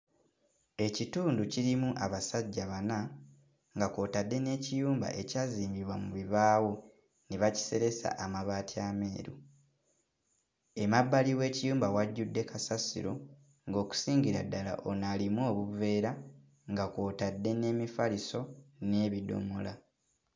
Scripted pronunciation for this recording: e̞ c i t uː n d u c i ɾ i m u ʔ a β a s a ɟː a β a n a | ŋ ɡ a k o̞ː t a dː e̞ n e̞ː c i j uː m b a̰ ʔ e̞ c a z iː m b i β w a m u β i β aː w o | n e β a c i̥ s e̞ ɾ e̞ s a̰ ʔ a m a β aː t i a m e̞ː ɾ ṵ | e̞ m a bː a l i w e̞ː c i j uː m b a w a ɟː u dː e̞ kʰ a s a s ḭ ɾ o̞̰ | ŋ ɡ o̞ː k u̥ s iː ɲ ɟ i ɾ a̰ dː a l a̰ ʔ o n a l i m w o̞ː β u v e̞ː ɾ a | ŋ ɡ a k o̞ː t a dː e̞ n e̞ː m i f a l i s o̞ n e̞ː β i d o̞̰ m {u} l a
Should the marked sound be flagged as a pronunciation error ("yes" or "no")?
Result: yes